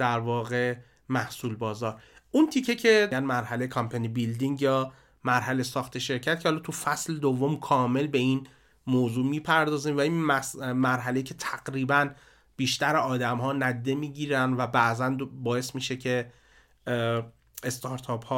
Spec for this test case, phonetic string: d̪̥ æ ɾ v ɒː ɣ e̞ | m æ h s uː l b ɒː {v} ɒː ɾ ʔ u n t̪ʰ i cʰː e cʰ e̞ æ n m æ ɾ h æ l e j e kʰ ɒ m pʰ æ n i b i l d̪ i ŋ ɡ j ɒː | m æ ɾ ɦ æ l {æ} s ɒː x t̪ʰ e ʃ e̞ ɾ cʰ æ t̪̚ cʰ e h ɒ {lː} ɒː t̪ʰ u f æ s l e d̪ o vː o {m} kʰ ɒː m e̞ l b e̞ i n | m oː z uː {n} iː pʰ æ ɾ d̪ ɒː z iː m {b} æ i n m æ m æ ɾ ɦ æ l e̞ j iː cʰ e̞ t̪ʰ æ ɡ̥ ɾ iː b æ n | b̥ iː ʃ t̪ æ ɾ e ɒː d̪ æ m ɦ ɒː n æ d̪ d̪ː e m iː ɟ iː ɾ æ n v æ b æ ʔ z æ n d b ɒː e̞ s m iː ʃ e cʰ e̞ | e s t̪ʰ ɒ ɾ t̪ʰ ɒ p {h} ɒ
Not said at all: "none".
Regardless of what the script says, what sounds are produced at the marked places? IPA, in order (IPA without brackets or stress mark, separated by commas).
z, e, l, m, m, v, h